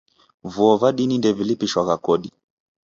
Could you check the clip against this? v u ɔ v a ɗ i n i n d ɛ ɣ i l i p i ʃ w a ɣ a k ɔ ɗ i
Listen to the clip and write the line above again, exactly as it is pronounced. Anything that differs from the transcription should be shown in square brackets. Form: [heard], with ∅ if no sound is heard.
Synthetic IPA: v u ɔ v a ɗ i n i n d ɛ [v] i l i p i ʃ w a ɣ a k ɔ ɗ i